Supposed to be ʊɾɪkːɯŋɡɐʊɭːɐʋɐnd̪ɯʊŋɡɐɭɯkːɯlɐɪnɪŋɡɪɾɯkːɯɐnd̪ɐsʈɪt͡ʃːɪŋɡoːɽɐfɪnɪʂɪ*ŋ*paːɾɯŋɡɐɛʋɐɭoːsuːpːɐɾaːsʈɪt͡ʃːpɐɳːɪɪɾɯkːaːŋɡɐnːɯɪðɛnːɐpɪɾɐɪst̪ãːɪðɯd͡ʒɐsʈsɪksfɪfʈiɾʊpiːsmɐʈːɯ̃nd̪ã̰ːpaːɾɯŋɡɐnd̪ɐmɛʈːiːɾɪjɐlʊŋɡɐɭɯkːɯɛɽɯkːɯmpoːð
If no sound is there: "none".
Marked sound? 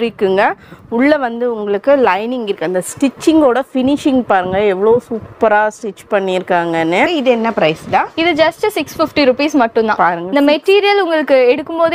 ŋ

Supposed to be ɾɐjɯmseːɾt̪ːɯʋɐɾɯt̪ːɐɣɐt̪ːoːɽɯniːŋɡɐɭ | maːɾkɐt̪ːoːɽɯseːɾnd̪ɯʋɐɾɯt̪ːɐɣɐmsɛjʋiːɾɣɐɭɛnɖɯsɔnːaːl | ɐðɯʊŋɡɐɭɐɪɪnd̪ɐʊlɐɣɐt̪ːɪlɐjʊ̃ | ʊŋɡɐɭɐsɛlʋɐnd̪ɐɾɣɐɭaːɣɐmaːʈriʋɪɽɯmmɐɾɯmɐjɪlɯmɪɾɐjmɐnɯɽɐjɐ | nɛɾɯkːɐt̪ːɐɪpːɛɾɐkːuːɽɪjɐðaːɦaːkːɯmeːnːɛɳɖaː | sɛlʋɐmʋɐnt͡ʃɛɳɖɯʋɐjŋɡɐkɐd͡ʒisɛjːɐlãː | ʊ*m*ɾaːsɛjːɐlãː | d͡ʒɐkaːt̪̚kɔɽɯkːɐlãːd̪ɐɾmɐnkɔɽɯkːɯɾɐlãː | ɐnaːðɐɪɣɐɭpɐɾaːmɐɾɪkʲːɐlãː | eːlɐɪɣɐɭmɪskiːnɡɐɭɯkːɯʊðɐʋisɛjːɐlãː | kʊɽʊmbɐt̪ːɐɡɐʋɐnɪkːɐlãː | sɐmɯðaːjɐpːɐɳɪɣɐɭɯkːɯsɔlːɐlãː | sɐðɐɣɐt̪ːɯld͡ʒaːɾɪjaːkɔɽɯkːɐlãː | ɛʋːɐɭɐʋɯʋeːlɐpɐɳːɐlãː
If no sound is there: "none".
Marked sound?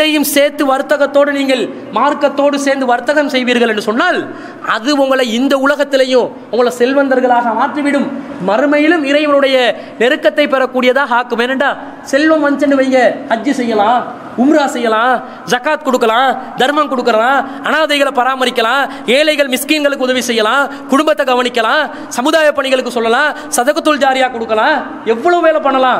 m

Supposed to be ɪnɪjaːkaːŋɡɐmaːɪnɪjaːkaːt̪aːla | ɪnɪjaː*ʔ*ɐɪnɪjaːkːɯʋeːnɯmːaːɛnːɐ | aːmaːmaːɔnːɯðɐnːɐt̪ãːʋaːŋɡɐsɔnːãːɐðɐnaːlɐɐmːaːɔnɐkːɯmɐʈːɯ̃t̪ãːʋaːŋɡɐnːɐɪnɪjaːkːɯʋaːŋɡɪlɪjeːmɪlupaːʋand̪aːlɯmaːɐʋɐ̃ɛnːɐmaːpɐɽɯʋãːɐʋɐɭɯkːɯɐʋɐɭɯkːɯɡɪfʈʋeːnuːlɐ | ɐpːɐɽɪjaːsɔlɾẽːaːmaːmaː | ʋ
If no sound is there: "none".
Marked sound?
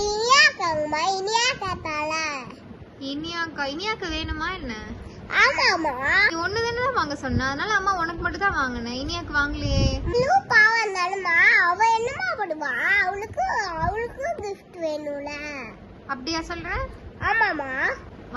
k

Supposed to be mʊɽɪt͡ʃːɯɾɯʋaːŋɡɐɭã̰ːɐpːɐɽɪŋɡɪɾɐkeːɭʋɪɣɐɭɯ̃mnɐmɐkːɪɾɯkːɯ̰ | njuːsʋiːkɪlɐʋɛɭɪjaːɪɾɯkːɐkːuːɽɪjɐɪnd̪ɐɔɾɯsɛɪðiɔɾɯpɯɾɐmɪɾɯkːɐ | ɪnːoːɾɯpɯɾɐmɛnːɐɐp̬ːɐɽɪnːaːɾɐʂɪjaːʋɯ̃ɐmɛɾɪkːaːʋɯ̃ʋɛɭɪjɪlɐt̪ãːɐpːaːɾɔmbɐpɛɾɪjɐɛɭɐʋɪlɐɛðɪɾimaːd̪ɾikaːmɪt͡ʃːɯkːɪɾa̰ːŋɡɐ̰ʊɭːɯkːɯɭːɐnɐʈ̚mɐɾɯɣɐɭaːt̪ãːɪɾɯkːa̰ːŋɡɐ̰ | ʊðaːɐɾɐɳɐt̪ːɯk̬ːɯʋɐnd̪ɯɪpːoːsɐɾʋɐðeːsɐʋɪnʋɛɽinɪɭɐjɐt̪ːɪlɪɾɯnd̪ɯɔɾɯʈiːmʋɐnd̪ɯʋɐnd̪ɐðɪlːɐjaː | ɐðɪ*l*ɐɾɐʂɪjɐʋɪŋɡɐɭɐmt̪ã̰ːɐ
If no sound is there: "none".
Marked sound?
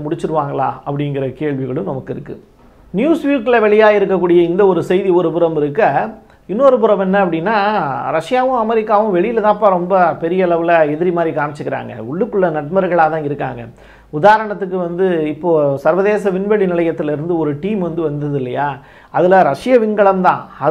l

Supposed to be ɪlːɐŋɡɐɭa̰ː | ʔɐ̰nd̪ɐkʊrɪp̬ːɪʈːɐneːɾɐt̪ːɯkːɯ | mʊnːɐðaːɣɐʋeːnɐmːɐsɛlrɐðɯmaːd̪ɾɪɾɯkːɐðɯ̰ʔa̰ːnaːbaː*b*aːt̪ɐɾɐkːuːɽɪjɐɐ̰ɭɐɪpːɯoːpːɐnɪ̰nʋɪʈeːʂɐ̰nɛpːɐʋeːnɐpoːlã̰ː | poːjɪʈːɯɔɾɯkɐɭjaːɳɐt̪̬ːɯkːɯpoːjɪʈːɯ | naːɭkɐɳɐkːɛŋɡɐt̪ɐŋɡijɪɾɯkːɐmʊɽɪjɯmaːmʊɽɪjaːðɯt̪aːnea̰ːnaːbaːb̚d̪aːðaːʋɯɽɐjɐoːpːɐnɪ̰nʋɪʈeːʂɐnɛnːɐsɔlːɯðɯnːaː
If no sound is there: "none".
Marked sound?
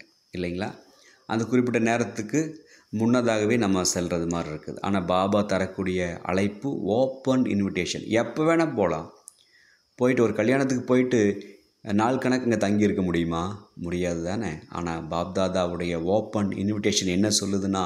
b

